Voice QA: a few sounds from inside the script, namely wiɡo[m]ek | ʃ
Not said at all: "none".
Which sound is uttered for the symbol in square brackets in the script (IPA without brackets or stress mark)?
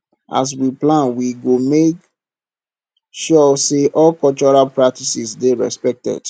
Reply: m